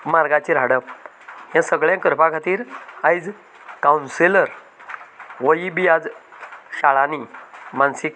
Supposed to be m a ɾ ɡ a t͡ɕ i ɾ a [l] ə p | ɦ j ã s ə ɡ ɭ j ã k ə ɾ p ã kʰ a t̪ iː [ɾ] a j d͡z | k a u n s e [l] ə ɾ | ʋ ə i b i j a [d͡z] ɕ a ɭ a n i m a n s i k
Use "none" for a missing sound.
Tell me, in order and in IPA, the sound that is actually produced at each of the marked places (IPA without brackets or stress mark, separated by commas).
ɽ, ɾ, l, d͡z